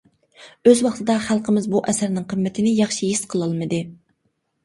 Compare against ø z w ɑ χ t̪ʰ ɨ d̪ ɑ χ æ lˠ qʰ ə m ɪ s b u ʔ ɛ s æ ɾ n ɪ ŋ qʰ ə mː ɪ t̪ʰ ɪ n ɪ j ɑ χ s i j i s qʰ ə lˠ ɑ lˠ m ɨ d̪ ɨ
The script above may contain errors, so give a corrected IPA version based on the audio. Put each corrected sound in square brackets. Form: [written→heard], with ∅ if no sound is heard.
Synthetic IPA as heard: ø z w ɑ χ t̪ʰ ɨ d̪ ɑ χ æ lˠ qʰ ə m ɪ [s→z] b u ʔ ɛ s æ ɾ n ɪ ŋ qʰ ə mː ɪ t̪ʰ ɪ n ɪ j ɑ χ [s→ʃ] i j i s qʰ ə lˠ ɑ lˠ m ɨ d̪ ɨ